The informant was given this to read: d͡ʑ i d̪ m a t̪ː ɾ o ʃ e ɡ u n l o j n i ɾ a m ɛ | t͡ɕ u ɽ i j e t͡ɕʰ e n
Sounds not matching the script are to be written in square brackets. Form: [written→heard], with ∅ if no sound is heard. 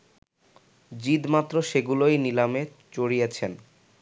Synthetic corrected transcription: d͡ʑ i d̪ m a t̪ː ɾ o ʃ e ɡ u [n→∅] l o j n i [ɾ→l] a m [ɛ→e] | t͡ɕ [u→o] ɽ i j e t͡ɕʰ e n

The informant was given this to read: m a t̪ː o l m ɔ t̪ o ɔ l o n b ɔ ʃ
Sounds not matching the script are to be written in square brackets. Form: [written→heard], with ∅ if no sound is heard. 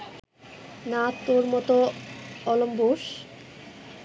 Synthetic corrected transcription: [m→n] a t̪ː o [l→ɾ] m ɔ t̪ o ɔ l o [n→m] b [ɔ→o] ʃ

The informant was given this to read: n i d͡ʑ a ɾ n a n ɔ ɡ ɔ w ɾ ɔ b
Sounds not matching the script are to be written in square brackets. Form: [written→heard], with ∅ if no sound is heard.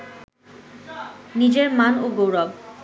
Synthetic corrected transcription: n i d͡ʑ [a→e] ɾ [n→m] a n [ɔ→o] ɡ [ɔ→o] w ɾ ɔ b

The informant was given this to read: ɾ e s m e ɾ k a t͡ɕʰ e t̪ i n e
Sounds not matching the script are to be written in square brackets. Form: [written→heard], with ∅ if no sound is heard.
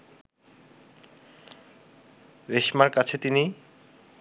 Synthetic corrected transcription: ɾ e [s→ʃ] m [e→a] ɾ k a t͡ɕʰ e t̪ i n [e→i]

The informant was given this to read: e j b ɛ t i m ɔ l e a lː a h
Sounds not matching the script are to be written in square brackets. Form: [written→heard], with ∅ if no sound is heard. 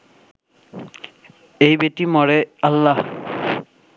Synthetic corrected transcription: e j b [ɛ→e] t i m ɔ [l→ɹ] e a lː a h

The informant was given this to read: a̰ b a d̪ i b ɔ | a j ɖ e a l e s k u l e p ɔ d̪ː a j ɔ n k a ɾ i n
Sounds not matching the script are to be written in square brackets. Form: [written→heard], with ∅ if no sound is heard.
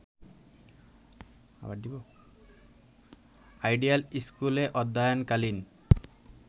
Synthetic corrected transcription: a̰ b a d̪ i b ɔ | a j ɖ [e→i] a l [e→i] s k u l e [p→ʔ] ɔ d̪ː a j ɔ n k a [ɾ→l] i n

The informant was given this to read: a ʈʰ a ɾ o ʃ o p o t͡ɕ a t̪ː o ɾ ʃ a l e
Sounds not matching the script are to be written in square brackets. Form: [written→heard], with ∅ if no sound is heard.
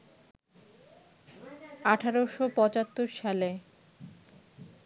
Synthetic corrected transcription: a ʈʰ a ɾ o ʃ o p [o→ɔ] t͡ɕ a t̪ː o ɾ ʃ a l e

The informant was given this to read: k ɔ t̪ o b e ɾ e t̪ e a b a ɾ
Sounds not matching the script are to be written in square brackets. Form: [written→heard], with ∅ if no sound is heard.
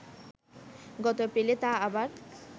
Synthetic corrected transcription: [k→ɡ] ɔ t̪ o [b→p] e [ɾ→l] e t̪ [e→a] a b a ɾ

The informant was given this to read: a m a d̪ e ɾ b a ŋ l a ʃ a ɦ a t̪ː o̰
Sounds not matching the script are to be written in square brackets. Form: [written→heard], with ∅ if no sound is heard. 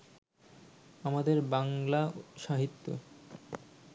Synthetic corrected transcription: a m a d̪ e ɾ b a ŋ l a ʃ a ɦ [a→i] t̪ː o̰

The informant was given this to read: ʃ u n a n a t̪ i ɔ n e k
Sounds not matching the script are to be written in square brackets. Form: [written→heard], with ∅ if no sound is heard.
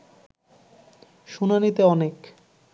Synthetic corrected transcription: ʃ u n a n [a→i] t̪ [i→e] ɔ n e k

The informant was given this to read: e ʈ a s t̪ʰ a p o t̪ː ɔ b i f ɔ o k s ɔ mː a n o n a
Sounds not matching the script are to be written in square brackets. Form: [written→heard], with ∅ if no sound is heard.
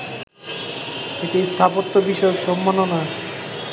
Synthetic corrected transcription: e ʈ [a→i] s t̪ʰ a p o t̪ː [ɔ→o] b i [f→ʃ] ɔ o k [s→ʃ] ɔ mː a n o n a

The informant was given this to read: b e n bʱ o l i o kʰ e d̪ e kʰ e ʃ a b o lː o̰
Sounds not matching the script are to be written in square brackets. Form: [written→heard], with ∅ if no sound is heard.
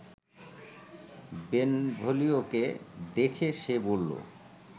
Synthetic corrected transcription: b e n bʱ o l i o [kʰ→k] e d̪ e kʰ e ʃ [a→e] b o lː o̰

